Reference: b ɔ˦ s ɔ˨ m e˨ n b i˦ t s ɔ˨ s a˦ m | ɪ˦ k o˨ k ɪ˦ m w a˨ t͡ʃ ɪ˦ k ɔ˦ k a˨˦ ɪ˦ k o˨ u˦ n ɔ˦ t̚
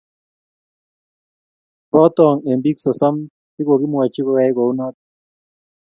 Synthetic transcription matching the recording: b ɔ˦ t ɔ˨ ŋ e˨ m b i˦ k s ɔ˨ s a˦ m | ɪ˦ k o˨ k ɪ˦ m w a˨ t͡ʃ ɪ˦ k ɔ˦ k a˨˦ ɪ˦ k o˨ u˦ n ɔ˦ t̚